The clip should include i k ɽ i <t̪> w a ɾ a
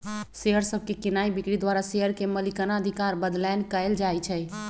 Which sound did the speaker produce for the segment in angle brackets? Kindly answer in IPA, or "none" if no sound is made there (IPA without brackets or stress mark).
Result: d̪